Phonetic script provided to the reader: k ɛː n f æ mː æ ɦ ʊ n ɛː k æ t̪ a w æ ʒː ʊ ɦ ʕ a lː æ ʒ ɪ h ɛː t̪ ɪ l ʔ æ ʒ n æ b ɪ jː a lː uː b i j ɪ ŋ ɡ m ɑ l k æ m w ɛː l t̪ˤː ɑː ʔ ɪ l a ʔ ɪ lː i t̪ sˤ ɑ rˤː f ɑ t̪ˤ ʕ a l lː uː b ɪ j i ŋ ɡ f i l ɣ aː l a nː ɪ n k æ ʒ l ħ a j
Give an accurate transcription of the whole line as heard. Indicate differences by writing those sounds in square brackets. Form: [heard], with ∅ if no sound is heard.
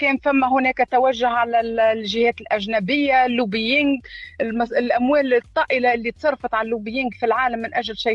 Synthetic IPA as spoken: k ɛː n f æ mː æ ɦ ʊ n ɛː k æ t̪ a w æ ʒː ʊ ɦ ʕ a [l] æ ʒ ɪ h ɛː t̪ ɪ l ʔ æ ʒ n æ b ɪ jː a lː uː b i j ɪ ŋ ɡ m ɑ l [ʔ] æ m w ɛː l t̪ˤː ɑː ʔ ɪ l a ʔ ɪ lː i t̪ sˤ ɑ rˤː f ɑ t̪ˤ ʕ a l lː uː b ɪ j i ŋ ɡ f i l [ʕ] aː l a [mː] ɪ n [ʔ] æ ʒ l [ʃ] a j